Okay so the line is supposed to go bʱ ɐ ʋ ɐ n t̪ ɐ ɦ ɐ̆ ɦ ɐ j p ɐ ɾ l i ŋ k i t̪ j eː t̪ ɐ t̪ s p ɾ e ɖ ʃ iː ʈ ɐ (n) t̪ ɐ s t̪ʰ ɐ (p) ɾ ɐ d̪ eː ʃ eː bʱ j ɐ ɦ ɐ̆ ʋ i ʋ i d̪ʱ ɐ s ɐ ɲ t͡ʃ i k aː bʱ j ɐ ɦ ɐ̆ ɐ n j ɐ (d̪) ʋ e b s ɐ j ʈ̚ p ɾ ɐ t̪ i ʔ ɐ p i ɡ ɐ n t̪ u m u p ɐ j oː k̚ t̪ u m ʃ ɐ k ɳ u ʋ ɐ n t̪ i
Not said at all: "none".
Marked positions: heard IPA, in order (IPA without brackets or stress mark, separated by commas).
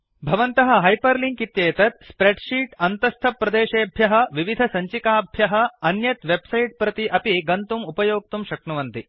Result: n, p, t̪